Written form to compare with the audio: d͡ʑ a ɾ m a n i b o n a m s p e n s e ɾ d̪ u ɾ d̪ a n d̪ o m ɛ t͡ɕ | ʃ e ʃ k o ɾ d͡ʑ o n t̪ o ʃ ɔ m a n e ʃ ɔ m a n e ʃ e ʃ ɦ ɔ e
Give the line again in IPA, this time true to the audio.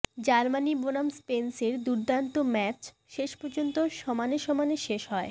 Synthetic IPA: d͡ʑ a ɾ m a n i b o n a m s p e n s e ɾ d̪ u ɾ d̪ a n t̪ o m ɛ t͡ɕ | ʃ e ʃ p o ɾ d͡ʑ o n t̪ o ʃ ɔ m a n e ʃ ɔ m a n e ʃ e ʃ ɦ ɔ e